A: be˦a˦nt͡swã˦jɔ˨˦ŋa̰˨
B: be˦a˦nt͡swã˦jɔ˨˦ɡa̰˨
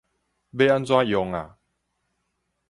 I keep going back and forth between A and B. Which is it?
A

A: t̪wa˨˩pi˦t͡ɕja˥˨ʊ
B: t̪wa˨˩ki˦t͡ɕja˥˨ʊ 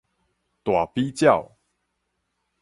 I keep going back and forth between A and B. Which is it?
A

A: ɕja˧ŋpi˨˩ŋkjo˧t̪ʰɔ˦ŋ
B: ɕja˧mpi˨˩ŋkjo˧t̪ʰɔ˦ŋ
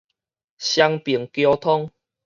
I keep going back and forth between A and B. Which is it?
A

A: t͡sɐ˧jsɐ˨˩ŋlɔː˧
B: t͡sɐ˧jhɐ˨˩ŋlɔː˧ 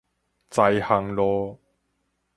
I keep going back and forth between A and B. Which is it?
B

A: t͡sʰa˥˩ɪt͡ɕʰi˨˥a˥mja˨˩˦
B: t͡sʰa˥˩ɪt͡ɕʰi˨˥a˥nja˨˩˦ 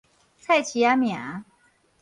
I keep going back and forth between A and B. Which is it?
A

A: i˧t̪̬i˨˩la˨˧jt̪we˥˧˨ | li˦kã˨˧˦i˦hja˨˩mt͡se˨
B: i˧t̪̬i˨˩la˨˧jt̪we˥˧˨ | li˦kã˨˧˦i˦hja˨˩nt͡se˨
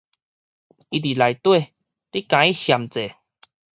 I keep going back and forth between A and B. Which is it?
A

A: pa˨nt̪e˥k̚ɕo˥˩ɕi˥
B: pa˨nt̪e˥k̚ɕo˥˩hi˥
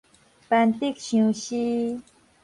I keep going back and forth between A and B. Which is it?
A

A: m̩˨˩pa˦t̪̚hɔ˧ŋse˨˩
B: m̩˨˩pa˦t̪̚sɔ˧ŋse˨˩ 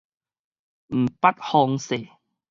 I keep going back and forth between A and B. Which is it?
A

